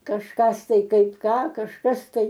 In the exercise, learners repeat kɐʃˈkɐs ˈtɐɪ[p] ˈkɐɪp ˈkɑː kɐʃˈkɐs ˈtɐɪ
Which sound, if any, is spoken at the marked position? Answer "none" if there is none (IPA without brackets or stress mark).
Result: none